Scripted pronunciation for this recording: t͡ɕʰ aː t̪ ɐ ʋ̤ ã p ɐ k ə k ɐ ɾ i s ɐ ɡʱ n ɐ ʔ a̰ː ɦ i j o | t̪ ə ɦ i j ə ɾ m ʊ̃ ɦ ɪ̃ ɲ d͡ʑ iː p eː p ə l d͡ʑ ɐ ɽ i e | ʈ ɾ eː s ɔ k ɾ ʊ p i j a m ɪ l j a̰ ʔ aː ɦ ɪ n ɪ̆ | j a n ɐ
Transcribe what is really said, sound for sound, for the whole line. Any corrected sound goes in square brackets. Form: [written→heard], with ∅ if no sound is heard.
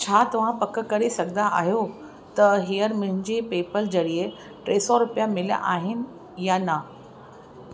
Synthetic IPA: t͡ɕʰ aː t̪ ɐ ʋ̤ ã p ɐ k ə k ɐ ɾ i s ɐ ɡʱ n [ɐ→a] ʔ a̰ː ɦ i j o | t̪ [ə→ɐ] ɦ i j ə ɾ m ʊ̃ ɦ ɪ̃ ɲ d͡ʑ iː p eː p ə l d͡ʑ ɐ ɽ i e | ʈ ɾ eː s ɔ [k→∅] ɾ ʊ p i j a m ɪ l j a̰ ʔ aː ɦ ɪ n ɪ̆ | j a n ɐ